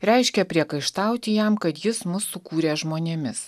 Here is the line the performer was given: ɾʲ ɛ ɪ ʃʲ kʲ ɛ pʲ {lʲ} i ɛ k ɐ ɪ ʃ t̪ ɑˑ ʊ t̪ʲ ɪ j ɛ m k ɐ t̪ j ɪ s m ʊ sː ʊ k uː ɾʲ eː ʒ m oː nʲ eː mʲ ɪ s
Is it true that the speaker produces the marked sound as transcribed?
no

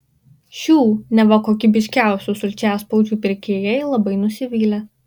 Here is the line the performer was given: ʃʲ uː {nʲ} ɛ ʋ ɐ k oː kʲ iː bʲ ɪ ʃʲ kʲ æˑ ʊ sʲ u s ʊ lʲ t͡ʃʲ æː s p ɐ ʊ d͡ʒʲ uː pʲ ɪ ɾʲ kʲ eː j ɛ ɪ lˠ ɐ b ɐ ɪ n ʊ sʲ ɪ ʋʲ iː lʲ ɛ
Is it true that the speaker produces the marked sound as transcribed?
yes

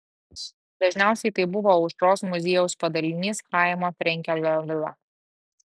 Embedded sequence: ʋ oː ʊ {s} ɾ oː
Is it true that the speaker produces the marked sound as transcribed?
no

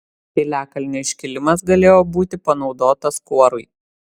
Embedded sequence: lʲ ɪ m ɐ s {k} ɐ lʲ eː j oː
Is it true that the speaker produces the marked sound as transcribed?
no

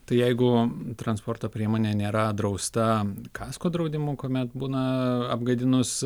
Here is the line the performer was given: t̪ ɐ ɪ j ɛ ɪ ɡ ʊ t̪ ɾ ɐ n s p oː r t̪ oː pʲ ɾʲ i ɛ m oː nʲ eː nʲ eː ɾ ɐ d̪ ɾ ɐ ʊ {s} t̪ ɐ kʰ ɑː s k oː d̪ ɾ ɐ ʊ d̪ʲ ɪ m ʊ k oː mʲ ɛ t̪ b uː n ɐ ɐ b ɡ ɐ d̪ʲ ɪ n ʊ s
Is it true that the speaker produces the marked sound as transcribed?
yes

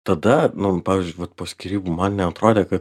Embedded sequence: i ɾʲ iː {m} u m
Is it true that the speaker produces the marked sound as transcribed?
no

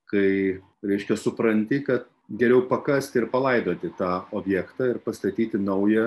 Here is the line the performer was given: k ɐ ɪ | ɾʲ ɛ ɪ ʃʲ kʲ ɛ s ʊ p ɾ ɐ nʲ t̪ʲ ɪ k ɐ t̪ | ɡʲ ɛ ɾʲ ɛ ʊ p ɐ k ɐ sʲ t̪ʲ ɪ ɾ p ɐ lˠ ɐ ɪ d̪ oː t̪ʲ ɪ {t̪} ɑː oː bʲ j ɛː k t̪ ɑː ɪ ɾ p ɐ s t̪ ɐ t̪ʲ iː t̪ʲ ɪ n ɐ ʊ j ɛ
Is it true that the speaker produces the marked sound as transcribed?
yes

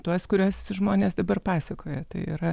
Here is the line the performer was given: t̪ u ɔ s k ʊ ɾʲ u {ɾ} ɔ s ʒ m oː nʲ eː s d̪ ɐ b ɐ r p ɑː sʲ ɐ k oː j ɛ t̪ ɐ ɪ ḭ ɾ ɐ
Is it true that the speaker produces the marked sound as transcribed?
no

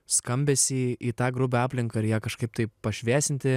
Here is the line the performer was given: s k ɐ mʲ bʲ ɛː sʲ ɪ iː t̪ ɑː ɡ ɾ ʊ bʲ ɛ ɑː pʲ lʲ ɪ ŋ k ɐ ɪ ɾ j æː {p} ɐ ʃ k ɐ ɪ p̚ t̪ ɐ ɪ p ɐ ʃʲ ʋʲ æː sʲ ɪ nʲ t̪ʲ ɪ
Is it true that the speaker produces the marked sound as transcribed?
no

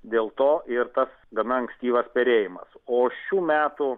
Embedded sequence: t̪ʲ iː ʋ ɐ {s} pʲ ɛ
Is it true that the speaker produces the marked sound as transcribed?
yes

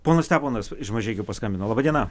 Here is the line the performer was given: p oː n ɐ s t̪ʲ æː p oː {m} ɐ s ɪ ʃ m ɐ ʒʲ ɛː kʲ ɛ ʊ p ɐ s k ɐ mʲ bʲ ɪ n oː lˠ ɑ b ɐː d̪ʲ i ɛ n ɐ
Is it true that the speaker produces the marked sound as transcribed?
no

